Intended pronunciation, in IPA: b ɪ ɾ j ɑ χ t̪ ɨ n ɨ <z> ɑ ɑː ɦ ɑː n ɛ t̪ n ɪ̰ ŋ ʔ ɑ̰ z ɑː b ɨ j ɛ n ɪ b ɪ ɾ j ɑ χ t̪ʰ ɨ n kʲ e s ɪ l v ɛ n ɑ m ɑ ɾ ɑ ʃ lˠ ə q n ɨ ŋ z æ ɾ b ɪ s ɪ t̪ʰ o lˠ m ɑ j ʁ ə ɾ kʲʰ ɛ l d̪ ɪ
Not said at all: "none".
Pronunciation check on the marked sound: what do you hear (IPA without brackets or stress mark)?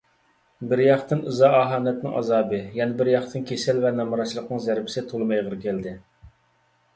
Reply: z